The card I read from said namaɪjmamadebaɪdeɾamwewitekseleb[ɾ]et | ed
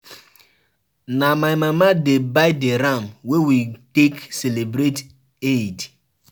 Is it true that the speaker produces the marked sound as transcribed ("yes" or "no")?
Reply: yes